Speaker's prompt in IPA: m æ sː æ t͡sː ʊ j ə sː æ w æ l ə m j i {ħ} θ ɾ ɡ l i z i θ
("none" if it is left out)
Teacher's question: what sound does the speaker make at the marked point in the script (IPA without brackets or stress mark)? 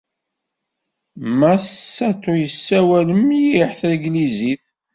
ħ